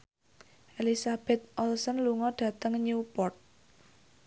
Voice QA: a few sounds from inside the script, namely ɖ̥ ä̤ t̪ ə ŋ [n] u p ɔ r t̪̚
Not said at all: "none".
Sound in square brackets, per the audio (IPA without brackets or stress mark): ɲ